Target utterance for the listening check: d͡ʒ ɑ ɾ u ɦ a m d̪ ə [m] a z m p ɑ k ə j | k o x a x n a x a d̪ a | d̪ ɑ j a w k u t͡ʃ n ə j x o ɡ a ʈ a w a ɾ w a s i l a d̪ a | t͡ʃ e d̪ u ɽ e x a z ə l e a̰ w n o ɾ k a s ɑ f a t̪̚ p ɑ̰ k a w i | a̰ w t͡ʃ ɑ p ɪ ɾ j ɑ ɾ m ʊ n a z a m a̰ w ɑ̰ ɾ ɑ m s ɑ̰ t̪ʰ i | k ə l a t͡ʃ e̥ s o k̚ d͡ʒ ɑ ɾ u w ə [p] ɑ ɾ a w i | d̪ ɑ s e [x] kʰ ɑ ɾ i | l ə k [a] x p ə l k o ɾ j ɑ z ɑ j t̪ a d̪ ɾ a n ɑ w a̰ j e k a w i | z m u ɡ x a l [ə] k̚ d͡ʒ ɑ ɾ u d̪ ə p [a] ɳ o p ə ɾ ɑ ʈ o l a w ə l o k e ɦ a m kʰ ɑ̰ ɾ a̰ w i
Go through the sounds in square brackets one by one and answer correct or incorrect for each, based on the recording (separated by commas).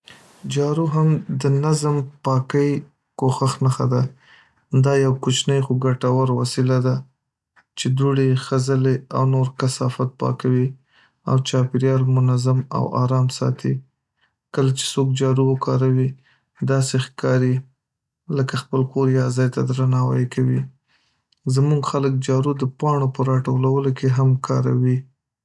incorrect, incorrect, correct, correct, correct, incorrect